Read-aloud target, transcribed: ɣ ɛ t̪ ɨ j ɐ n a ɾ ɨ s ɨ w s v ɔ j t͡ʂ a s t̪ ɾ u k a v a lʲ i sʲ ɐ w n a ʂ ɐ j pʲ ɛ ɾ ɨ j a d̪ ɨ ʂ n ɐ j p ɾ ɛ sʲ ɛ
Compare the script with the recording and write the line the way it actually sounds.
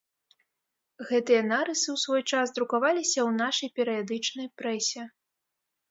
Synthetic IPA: ɣ ɛ t̪ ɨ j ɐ n a ɾ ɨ s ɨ w s v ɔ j t͡ʂ a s d̪ ɾ u k a v a lʲ i sʲ ɐ w n a ʂ ɐ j pʲ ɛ ɾ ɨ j a d̪ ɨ t͡ʂ n ɐ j p ɾ ɛ sʲ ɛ